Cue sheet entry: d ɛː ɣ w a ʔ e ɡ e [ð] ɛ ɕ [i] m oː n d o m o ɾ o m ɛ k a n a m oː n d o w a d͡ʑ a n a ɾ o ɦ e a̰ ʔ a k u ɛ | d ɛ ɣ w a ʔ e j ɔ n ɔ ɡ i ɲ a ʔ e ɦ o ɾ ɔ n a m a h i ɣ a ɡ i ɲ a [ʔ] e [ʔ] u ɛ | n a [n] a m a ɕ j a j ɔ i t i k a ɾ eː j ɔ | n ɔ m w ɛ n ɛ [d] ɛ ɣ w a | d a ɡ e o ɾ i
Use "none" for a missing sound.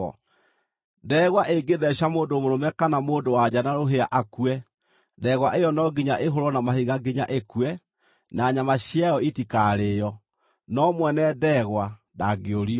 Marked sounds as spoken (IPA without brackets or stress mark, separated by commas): ð, a, ʔ, k, ɲ, d